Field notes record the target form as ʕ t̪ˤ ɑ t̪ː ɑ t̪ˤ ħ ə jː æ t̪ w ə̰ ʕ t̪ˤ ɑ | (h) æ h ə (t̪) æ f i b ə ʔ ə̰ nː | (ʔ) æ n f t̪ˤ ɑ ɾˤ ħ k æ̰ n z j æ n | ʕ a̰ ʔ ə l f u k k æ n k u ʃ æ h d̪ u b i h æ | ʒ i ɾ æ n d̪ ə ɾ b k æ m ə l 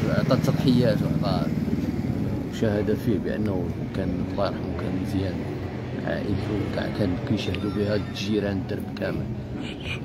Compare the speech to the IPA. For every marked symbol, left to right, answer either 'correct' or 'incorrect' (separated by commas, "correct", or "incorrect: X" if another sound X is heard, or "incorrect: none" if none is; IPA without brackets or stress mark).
incorrect: ʃ, incorrect: d̪, incorrect: k